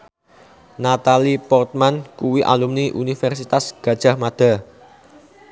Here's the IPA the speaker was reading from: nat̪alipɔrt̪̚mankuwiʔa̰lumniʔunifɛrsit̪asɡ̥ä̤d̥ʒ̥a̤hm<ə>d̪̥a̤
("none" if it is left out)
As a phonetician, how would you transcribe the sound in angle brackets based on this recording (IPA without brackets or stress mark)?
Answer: a